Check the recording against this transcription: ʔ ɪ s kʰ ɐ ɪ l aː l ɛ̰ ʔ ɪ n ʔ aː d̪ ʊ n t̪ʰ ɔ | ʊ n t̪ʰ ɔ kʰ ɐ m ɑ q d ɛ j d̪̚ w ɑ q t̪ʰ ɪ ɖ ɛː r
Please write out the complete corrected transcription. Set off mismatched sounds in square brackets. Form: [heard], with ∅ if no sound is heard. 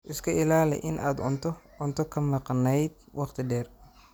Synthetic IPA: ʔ ɪ s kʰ ɐ ɪ l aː l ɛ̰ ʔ ɪ n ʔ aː d̪ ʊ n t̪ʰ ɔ | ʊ n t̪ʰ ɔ kʰ ɐ m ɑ q [n] ɛ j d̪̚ w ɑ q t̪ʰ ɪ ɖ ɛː r